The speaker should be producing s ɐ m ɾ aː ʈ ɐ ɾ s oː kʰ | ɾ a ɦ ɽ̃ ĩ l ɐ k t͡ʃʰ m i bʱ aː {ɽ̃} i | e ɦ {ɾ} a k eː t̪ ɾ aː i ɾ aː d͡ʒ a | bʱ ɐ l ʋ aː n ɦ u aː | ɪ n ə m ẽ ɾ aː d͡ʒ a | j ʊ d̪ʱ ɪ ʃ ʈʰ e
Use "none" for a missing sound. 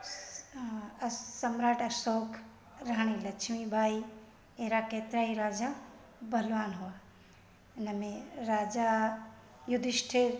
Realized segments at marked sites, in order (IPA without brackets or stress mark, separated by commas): none, ɾ